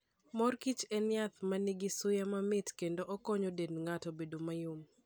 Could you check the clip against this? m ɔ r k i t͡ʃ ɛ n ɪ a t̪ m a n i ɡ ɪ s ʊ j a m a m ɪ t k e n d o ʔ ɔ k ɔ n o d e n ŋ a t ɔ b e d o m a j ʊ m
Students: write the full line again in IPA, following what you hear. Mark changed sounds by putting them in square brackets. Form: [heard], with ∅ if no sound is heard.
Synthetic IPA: m ɔ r k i t͡ʃ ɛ n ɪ a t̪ m a n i ɡ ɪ s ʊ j a m a m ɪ t k e n d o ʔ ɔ k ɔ [ɲ] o d e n ŋ a t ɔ b e d o m a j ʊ m